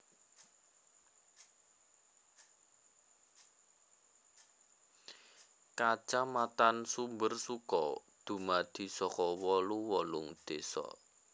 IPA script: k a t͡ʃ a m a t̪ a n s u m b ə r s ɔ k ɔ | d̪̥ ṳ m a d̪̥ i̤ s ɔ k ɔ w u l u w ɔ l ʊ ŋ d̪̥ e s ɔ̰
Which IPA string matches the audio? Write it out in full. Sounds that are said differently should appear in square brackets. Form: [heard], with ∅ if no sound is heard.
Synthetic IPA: k a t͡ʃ a m a t̪ a n s u m b ə r s [u] k ɔ | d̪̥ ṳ m a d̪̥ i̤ s ɔ k ɔ w [ɔ] l u w ɔ l ʊ ŋ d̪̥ e s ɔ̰